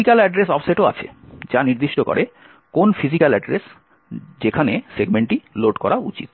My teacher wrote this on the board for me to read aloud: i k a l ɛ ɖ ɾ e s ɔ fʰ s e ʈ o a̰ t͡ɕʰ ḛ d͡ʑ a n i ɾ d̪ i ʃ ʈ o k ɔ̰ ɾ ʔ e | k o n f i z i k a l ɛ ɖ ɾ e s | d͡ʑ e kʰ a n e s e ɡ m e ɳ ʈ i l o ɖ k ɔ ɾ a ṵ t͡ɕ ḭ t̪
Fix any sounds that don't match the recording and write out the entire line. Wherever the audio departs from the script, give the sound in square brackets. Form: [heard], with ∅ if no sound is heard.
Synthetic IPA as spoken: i k a l ɛ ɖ ɾ e s ɔ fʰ s e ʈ o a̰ t͡ɕʰ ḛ d͡ʑ a n i ɾ d̪ i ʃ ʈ o k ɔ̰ ɾ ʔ e | k o n f i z i k a l ɛ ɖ ɾ e s | d͡ʑ e kʰ a n e s e ɡ m e ɳ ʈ i l o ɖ k ɔ ɾ a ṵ t͡ɕ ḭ t̪